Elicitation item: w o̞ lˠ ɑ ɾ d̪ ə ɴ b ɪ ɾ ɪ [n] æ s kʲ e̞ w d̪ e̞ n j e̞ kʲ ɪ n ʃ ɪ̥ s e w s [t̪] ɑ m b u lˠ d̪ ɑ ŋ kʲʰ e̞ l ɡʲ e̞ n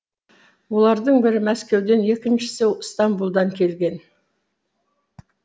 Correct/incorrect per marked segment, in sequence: incorrect: m, correct

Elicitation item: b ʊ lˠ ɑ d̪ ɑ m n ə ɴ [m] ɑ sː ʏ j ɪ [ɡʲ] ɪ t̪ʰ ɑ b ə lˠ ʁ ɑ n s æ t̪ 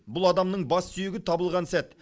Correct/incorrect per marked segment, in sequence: incorrect: b, correct

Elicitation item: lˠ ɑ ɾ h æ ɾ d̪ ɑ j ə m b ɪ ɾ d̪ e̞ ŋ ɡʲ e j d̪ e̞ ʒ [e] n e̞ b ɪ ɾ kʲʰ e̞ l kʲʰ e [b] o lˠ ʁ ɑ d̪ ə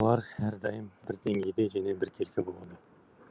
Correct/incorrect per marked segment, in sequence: incorrect: æ, correct

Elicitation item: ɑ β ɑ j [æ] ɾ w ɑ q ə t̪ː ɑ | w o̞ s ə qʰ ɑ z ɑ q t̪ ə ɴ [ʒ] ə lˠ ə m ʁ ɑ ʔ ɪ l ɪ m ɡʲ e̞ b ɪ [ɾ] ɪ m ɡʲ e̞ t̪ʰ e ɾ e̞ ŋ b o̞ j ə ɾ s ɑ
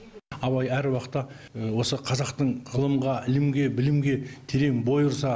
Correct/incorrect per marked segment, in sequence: correct, incorrect: ʁ, incorrect: l

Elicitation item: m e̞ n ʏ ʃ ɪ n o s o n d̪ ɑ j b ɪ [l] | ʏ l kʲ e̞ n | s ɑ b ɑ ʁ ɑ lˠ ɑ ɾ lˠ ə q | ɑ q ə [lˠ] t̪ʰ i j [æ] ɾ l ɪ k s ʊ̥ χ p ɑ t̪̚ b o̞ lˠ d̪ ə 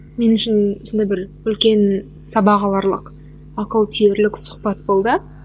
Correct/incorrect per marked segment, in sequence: incorrect: ɾ, correct, incorrect: e

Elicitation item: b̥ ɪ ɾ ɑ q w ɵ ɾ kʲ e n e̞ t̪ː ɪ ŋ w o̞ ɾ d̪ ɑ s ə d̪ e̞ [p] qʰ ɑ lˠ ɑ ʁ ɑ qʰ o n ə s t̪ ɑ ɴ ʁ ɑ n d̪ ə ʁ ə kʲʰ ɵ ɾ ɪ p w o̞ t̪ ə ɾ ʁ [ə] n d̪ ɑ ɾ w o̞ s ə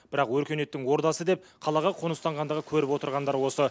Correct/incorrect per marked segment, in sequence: correct, incorrect: ɑ

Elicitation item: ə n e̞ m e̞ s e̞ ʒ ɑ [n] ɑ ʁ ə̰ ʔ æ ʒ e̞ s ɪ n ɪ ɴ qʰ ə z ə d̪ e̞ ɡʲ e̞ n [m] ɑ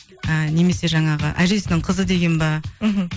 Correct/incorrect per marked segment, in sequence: incorrect: ɴ, incorrect: b

